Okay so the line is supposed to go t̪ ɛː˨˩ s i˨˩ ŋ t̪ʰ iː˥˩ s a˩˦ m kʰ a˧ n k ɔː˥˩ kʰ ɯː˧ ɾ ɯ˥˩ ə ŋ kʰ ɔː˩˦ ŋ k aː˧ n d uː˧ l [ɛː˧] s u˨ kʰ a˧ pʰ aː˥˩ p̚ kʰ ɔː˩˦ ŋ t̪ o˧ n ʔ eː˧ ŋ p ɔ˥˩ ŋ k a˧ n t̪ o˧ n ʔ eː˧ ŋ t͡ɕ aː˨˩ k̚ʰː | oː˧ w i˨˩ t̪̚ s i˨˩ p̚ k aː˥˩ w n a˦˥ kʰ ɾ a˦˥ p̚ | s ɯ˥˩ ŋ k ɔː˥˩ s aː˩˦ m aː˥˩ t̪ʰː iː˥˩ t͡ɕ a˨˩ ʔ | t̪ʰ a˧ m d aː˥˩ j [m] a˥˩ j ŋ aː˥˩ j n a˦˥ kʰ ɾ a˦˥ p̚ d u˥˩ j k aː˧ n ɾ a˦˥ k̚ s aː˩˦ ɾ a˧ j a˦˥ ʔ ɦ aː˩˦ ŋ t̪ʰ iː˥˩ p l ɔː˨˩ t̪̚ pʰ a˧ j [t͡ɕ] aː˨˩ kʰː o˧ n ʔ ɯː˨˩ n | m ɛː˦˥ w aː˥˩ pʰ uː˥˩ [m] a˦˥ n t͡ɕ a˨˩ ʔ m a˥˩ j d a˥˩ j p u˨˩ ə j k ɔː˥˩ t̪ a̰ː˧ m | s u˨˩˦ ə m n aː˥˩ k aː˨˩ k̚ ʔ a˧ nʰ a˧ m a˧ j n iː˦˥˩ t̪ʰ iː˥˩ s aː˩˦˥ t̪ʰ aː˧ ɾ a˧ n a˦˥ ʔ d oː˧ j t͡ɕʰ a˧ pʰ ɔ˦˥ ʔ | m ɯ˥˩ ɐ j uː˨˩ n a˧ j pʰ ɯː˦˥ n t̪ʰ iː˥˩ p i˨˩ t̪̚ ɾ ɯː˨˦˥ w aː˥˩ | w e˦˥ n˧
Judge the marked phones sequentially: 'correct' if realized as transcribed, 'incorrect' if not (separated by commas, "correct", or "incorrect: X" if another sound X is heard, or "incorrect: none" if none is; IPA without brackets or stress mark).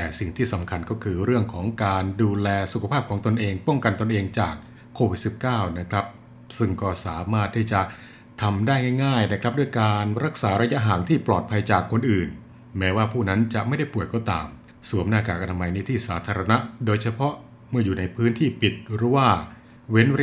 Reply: correct, incorrect: ŋ, correct, incorrect: n